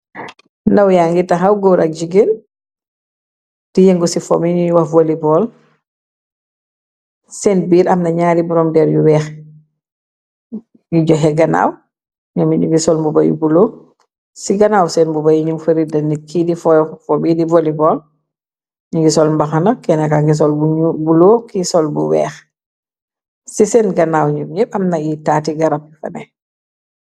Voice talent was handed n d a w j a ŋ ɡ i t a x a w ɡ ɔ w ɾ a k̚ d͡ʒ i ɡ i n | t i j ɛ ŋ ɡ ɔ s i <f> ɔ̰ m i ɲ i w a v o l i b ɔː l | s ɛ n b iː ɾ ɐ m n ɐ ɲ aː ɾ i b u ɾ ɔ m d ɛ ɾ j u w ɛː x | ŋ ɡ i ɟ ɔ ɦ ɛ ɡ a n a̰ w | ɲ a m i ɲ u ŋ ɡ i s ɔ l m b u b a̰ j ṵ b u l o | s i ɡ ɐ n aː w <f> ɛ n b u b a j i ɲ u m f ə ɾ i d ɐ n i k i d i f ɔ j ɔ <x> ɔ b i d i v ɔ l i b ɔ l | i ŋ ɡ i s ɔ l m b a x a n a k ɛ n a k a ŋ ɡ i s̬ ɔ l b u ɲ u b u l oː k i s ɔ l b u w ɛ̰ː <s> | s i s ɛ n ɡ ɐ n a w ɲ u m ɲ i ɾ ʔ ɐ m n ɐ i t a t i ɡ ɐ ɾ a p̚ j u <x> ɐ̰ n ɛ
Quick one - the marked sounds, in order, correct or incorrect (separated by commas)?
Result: correct, incorrect, incorrect, incorrect, incorrect